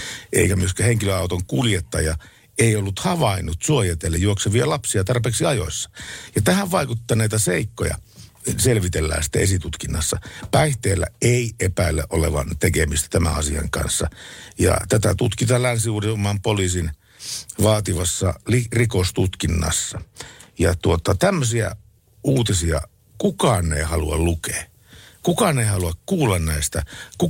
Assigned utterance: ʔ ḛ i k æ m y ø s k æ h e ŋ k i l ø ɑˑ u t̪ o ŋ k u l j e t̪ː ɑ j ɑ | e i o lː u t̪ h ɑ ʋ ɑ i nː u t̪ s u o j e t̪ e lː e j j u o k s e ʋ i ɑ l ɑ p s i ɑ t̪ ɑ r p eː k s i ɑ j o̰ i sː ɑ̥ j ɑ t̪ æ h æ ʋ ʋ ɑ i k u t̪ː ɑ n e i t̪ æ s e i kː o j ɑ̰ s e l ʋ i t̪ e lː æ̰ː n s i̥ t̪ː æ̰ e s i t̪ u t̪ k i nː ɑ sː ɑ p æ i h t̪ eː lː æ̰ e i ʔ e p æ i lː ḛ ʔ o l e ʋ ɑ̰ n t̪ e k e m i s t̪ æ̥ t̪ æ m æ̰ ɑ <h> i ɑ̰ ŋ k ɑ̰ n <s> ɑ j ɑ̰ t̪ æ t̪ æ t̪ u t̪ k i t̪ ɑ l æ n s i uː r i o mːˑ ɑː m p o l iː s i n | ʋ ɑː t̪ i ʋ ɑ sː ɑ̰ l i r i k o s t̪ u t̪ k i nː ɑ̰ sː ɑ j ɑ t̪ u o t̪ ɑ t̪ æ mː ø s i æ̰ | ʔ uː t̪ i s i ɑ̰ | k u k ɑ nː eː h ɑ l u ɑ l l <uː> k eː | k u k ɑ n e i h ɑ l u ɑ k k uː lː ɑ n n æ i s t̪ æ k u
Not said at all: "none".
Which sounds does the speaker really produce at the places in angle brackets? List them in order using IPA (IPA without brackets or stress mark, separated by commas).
s, sː, u